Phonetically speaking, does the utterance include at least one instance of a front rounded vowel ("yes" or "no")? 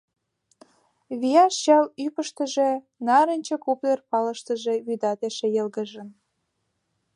yes